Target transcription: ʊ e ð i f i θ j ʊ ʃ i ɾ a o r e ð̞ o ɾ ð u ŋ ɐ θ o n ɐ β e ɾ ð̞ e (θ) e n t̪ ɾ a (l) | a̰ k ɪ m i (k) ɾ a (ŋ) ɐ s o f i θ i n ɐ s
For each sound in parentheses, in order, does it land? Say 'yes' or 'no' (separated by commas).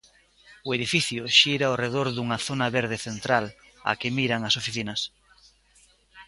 yes, yes, no, yes